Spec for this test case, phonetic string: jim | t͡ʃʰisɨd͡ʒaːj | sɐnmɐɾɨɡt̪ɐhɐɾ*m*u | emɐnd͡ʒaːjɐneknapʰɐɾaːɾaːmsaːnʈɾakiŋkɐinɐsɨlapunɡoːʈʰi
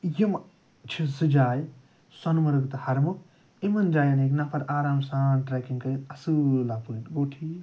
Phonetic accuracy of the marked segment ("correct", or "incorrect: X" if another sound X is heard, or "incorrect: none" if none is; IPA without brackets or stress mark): correct